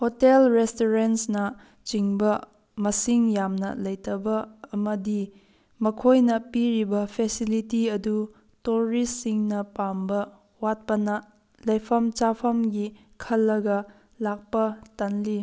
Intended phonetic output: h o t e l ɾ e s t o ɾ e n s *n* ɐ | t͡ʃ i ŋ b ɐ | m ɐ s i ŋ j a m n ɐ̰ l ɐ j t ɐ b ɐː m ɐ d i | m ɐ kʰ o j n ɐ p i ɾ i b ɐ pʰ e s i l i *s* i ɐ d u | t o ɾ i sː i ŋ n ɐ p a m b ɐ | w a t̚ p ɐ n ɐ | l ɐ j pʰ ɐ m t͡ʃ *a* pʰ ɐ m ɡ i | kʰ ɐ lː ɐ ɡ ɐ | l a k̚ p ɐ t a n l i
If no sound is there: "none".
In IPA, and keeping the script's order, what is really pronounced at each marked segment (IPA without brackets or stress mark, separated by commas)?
n, t, a